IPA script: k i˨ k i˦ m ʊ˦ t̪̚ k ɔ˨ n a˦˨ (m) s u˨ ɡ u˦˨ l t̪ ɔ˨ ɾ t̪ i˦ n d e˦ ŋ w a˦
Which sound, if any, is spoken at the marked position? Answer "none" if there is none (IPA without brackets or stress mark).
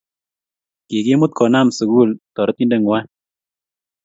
m